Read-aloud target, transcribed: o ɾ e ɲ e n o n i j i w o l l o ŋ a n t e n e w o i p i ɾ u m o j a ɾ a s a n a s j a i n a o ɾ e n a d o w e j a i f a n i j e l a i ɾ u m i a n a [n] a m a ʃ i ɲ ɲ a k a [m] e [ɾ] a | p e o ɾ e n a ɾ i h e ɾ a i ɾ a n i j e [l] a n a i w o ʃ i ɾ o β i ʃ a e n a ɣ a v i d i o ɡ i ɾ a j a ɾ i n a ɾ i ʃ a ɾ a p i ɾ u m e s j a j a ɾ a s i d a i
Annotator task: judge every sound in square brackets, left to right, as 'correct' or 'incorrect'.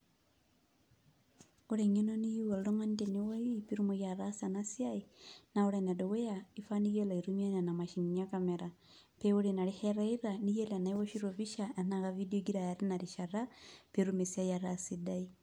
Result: correct, correct, correct, correct

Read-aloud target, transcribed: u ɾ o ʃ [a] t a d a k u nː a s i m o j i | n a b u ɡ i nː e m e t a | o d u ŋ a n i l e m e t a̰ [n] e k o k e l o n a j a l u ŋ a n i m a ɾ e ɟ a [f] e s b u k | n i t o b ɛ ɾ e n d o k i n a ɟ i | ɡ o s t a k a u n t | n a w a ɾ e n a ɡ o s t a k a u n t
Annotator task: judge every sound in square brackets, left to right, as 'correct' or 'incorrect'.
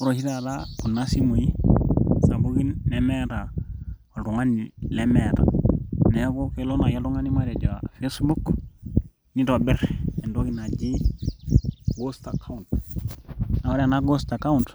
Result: incorrect: i, correct, correct

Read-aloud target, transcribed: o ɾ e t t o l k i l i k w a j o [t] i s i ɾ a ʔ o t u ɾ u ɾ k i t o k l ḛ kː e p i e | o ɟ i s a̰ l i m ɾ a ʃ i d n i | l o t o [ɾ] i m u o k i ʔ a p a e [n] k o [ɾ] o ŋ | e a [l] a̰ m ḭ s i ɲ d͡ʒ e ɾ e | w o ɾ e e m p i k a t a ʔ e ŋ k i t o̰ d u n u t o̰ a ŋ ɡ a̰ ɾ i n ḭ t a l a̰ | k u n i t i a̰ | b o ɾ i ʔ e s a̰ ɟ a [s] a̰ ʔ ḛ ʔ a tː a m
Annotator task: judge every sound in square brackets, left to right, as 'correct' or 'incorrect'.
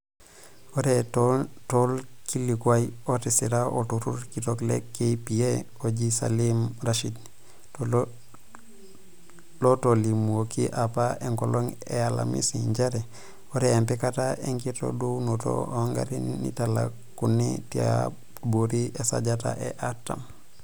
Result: correct, incorrect: l, incorrect: ŋ, incorrect: l, correct, incorrect: t

